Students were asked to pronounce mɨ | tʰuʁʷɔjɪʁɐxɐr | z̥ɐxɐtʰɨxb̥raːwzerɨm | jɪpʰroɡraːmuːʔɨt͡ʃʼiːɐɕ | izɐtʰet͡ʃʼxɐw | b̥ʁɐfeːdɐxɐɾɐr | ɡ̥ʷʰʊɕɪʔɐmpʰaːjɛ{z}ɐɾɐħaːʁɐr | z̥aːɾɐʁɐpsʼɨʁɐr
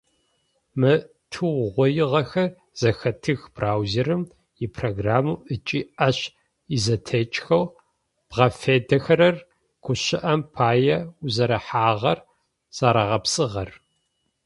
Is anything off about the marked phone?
no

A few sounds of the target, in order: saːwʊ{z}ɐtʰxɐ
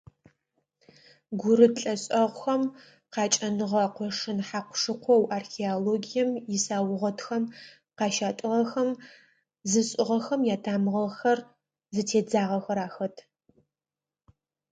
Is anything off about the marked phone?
yes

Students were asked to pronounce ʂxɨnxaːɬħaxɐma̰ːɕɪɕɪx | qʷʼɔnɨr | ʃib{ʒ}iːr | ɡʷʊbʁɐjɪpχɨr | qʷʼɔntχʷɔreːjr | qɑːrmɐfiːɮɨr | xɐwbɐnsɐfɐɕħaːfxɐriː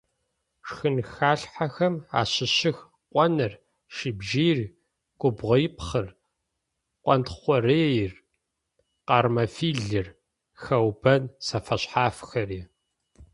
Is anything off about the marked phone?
no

